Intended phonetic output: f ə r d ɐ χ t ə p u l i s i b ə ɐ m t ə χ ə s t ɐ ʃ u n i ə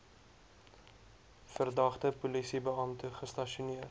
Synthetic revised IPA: f ə r d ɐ χ t ə p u l i s i b ə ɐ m t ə χ ə s t ɐ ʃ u n i ə